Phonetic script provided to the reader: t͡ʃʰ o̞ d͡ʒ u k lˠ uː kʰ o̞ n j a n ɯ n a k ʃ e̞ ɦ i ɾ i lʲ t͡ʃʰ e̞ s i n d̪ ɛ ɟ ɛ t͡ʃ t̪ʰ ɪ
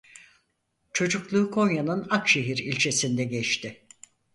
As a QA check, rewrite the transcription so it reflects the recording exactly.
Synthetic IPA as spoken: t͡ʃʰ o̞ d͡ʒ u k lˠ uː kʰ o̞ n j a n ɯ n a k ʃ e̞ ɦ i ɾ i lʲ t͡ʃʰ e̞ s i n d̪ ɛ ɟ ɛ t͡ʃ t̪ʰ ɪ